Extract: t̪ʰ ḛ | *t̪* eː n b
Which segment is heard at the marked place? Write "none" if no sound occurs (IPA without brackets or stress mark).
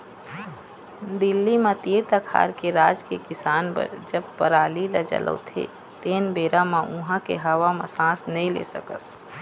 t̪